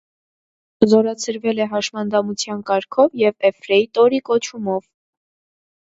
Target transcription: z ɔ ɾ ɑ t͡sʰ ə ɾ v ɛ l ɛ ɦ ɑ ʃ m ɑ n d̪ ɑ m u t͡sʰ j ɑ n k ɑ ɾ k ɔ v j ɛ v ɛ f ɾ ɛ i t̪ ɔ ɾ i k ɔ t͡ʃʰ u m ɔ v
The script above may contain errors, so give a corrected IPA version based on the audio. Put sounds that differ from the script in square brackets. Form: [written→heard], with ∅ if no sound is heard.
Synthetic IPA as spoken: z ɔ ɾ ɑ t͡sʰ ə ɾ v ɛ l ɛ ɦ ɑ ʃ m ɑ n d̪ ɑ m u t͡sʰ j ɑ n k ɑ ɾ [k→kʰ] ɔ v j ɛ v ɛ f ɾ ɛ i t̪ ɔ ɾ i k ɔ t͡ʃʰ u m ɔ v